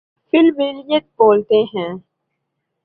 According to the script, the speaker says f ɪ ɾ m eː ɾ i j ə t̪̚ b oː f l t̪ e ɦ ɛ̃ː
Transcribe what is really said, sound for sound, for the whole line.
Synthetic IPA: f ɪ l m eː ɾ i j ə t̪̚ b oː l t̪ e ɦ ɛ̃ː